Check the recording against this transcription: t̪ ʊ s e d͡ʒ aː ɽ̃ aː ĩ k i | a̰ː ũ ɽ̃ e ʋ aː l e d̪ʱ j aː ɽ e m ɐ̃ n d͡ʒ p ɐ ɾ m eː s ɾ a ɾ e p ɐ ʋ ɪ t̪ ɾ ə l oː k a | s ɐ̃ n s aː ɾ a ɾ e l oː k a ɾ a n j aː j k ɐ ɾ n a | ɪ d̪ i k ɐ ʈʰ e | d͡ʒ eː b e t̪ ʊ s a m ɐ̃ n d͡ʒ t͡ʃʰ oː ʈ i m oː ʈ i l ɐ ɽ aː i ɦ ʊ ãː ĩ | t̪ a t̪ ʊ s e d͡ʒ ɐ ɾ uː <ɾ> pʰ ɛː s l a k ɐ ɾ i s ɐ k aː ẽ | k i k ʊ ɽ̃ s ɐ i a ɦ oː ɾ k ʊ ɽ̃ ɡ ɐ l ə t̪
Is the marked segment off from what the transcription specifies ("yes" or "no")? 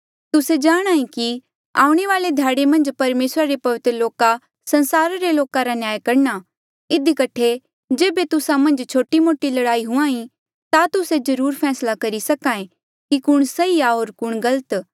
no